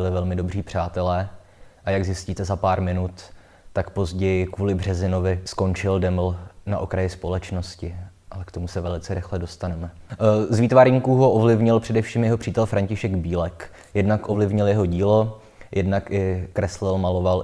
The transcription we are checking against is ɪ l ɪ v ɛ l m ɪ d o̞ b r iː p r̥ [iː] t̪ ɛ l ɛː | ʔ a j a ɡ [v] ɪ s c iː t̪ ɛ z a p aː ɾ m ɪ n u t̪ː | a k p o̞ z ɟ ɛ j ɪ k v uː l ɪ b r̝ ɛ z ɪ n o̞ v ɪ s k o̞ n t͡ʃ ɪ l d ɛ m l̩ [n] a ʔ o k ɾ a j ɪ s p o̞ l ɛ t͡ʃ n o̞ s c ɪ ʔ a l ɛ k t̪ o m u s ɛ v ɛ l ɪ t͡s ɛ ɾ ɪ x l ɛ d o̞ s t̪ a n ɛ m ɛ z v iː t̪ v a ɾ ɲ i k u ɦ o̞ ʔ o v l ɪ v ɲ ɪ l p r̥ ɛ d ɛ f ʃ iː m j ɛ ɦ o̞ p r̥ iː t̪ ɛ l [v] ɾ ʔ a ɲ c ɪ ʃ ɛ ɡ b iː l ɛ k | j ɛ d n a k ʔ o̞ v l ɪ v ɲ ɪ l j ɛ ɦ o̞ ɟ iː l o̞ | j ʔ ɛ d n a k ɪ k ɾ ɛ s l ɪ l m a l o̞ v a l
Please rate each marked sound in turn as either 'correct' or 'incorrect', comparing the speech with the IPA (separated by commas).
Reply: incorrect, incorrect, correct, incorrect